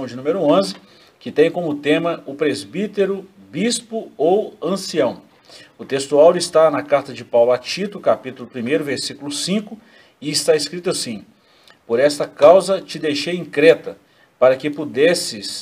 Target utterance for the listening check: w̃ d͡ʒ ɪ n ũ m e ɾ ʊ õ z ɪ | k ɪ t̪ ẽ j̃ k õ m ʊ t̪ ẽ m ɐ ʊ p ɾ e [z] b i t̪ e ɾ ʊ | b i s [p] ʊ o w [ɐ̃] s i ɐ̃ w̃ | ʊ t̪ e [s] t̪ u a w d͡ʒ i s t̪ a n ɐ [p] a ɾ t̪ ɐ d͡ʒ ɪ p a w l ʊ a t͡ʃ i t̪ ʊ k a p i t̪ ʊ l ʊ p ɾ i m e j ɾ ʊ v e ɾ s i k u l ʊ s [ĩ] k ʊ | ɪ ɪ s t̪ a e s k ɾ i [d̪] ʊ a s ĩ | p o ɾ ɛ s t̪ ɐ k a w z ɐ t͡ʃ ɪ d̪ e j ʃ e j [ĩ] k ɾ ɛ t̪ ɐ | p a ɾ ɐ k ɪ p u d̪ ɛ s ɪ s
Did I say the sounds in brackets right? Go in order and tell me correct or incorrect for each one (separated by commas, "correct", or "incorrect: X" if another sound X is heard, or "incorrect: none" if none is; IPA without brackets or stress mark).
correct, correct, correct, correct, incorrect: k, correct, incorrect: t̪, correct